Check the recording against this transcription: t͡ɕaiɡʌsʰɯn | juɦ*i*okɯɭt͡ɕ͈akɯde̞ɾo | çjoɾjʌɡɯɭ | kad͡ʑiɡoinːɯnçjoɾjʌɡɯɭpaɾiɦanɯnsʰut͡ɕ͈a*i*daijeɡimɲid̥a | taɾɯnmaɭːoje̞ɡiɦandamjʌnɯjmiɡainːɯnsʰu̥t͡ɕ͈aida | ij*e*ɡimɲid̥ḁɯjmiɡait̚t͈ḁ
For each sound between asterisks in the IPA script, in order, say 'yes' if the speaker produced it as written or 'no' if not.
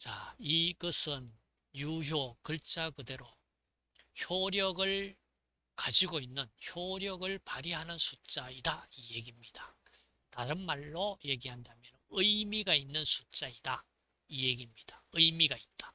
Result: no, yes, yes

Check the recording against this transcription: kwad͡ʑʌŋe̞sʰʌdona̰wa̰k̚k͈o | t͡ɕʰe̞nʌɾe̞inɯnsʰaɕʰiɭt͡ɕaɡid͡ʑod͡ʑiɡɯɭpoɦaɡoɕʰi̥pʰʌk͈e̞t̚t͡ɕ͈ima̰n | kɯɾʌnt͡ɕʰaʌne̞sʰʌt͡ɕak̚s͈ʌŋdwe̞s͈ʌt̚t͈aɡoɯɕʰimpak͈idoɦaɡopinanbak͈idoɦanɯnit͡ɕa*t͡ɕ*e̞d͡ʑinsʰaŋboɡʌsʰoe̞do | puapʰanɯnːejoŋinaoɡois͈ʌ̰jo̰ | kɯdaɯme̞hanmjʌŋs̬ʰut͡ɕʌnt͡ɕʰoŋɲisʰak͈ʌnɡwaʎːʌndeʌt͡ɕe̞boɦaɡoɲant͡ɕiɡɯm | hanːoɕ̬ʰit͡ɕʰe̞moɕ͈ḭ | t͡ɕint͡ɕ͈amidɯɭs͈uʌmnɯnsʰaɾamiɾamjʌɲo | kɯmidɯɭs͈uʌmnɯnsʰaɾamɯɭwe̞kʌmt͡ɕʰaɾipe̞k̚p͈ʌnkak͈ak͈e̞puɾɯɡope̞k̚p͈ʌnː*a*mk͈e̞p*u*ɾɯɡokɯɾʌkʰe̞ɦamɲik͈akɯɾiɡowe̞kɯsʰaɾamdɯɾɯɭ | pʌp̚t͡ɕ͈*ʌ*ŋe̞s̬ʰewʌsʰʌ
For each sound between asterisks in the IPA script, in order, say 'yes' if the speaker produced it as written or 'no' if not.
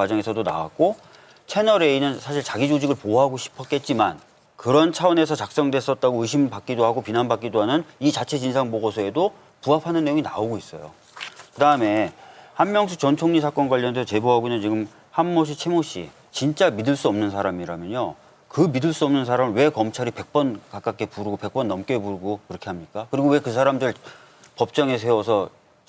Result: no, no, yes, yes

